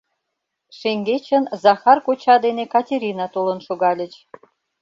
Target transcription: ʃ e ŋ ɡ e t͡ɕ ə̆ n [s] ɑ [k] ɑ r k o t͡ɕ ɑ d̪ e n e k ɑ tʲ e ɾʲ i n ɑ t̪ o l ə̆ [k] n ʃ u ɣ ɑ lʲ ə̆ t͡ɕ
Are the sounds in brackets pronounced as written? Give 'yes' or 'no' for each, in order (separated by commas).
no, no, no